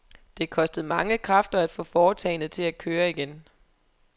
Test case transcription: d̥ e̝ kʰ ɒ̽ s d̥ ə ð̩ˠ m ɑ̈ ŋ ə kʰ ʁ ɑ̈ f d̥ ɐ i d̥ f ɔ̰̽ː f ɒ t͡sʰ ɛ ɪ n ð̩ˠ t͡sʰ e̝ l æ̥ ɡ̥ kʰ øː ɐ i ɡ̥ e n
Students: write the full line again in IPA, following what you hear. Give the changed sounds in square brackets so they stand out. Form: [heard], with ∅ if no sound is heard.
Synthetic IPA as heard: d̥ e̝ kʰ ɒ̽ s d̥ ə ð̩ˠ m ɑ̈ ŋ ə kʰ ʁ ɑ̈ f d̥ ɐ [æ] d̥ f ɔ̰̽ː f [ɒː] t͡sʰ ɛ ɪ n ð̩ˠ t͡sʰ e̝ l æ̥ [∅] kʰ øː ɐ i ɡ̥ e n